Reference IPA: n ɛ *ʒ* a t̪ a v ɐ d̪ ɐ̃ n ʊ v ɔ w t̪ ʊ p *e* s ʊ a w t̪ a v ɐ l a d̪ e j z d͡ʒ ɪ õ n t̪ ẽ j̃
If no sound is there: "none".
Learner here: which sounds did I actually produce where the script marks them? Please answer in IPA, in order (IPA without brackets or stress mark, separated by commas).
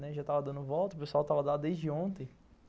ʒ, e